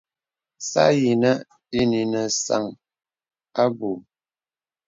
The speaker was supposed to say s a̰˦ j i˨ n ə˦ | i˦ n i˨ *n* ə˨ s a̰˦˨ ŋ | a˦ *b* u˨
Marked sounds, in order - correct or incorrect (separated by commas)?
correct, correct